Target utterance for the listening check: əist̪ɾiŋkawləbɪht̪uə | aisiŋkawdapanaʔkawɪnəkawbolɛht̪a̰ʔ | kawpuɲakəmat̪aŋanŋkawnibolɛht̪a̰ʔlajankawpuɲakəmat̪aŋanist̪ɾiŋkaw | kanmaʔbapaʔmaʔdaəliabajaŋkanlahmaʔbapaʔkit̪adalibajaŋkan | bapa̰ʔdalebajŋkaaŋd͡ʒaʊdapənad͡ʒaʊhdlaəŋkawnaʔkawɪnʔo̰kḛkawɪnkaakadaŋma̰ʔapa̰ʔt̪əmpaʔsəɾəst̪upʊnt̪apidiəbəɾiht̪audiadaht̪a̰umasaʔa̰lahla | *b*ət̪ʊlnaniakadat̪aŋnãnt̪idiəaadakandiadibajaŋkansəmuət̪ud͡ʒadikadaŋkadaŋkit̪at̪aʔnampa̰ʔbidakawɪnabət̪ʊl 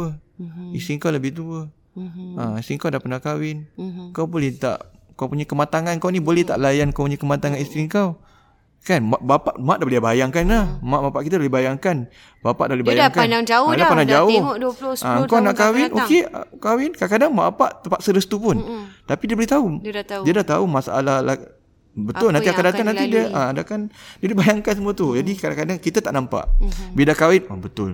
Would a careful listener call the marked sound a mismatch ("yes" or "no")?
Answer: no